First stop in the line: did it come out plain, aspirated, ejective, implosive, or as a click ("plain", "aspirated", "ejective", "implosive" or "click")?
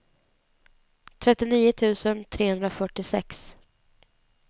aspirated